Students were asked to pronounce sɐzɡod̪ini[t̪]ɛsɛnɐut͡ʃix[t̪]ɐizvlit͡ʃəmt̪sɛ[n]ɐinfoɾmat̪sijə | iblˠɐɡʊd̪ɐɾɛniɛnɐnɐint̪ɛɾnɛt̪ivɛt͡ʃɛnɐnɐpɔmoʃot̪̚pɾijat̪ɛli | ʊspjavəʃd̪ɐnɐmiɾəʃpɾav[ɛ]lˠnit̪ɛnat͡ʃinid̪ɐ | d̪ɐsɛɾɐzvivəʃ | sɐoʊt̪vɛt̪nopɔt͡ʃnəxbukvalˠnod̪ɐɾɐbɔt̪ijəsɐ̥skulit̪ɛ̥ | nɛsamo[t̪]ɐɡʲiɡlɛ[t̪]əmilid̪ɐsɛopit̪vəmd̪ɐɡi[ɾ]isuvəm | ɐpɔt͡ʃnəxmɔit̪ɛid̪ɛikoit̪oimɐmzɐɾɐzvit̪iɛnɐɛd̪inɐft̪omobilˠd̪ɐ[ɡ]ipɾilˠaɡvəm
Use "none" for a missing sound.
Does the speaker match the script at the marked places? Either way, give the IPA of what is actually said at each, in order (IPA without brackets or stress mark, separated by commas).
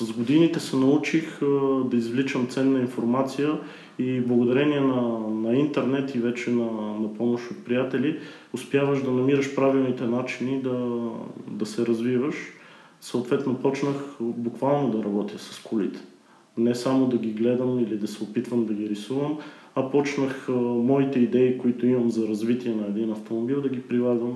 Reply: t̪, d̪, nː, i, d̪, d̪, ɾ, ɡ